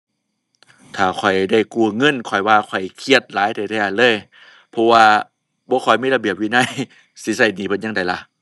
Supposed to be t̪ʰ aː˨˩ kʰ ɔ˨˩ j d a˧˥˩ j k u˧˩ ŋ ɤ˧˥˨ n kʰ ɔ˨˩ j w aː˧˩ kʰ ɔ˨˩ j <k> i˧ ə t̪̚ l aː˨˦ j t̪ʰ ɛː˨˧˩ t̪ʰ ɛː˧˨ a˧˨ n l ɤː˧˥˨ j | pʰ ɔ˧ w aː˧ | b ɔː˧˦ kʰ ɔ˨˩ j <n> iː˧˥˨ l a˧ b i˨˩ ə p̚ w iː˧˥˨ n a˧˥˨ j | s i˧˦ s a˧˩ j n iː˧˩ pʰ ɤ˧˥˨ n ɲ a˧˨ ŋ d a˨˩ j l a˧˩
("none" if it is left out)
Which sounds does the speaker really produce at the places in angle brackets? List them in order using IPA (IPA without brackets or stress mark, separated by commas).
kʰ, m